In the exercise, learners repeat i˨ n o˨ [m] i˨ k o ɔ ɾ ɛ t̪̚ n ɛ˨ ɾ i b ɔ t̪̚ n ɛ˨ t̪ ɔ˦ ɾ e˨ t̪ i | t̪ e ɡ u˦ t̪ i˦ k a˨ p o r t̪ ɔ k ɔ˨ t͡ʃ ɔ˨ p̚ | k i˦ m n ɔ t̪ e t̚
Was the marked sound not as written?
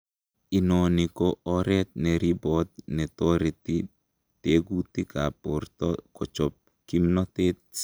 yes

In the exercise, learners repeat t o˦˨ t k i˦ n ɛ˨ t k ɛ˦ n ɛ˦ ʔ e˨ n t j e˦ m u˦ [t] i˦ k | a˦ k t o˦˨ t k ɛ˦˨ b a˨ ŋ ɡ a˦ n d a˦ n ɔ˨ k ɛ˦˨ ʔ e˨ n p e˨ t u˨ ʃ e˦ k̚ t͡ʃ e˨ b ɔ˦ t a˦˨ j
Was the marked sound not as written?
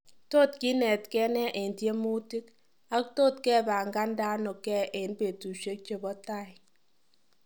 no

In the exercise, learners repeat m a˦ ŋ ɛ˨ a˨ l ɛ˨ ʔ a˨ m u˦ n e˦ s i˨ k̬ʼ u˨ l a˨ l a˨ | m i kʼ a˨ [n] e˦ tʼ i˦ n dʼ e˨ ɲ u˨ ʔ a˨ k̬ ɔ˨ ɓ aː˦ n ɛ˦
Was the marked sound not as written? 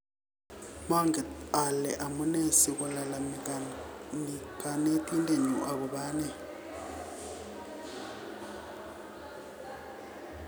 no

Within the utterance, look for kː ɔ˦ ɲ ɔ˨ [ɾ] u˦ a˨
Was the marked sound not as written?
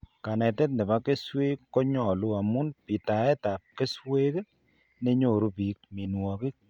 yes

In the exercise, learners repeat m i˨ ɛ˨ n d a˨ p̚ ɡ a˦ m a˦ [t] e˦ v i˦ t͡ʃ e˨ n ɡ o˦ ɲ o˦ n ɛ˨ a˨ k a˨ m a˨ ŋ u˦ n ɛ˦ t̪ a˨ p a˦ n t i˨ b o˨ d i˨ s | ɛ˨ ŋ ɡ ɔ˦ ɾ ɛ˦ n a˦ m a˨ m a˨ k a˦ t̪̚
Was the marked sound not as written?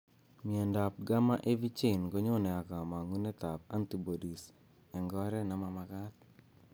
yes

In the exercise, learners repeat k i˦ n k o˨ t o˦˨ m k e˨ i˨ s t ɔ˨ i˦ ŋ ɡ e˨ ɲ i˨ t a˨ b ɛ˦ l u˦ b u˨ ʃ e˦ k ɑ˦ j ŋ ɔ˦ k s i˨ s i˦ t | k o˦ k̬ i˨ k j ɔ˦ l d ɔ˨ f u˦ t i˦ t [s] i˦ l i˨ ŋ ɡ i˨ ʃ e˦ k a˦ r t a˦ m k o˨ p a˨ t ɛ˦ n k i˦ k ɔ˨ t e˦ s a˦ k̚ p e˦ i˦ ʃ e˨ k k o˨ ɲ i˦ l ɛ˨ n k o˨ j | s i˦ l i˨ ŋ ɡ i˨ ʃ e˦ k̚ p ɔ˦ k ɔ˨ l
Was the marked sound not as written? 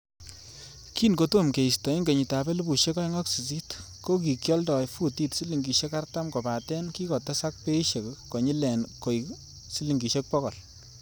no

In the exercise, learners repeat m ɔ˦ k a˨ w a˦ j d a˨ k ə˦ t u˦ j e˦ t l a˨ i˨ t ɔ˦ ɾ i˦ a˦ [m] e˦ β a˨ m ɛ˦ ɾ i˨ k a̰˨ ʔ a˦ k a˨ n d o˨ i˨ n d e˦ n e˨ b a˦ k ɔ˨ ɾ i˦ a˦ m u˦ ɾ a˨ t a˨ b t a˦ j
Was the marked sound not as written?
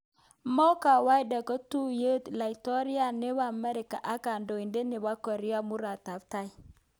yes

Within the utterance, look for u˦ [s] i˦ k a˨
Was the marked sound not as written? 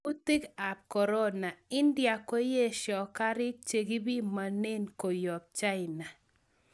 yes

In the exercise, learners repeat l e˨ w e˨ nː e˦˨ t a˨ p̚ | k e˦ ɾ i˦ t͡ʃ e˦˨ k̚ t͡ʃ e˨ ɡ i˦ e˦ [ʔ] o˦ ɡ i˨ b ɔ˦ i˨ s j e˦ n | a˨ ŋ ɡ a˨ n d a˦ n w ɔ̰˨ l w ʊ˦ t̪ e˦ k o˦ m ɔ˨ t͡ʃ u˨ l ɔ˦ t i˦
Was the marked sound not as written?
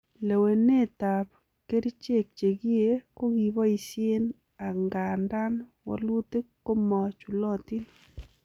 yes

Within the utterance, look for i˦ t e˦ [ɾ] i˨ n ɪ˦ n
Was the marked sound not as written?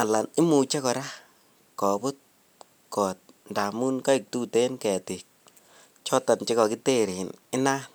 no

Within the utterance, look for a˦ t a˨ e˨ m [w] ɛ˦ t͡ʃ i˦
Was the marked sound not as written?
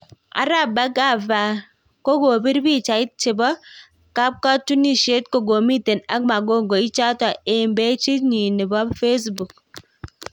yes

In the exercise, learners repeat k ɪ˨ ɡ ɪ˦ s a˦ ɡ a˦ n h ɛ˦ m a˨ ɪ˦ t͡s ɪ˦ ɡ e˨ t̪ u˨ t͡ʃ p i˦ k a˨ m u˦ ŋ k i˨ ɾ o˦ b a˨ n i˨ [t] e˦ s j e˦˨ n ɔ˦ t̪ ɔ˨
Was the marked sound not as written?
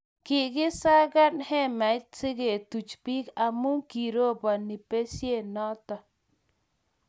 yes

